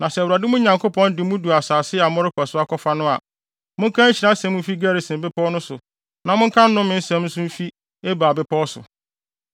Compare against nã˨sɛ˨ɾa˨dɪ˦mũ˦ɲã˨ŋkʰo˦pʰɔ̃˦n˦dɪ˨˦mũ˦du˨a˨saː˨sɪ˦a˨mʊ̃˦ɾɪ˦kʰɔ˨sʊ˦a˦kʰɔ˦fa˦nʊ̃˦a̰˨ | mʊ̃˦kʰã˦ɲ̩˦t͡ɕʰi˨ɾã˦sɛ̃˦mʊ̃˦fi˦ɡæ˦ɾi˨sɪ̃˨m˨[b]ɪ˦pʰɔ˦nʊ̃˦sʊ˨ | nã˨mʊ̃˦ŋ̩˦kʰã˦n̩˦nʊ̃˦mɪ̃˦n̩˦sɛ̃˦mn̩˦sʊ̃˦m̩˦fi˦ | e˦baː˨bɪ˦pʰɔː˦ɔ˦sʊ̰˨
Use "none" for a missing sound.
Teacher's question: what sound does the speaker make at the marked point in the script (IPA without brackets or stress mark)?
b